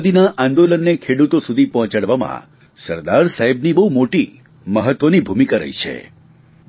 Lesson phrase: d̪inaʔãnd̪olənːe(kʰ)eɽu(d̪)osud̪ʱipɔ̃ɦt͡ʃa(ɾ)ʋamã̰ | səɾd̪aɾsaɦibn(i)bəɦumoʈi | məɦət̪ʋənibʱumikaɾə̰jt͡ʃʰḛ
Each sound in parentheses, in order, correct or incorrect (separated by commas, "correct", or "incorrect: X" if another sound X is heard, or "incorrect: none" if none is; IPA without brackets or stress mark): correct, incorrect: t̪, incorrect: ɽ, correct